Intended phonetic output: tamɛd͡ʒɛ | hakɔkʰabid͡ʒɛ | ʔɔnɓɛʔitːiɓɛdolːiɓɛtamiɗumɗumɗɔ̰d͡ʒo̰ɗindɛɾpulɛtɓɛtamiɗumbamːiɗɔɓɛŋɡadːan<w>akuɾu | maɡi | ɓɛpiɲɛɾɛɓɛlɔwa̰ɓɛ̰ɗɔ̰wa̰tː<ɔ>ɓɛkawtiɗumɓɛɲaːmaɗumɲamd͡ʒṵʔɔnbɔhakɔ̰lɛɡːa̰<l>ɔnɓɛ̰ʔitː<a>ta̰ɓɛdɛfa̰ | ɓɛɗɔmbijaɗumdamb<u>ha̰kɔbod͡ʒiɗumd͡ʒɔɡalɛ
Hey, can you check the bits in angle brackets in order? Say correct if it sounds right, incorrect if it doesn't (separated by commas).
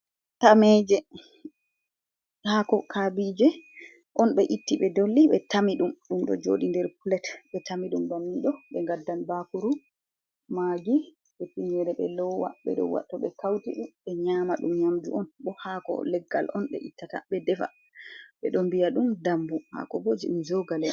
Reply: incorrect, correct, correct, correct, correct